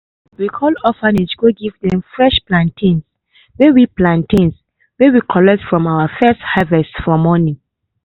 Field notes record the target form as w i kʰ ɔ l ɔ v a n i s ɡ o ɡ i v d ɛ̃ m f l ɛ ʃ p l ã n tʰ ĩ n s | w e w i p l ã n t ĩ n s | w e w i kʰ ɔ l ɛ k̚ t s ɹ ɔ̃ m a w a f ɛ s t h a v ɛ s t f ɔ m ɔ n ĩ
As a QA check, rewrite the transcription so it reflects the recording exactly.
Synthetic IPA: w i kʰ ɔ l ɔ f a n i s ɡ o ɡ i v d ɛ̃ m f ɹ ɛ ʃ p l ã n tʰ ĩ n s | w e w i p l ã n t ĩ n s | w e w i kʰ ɔ l ɛ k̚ t f ɹ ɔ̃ m a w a f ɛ s t h a v ɛ s t f ɔ m ɔ n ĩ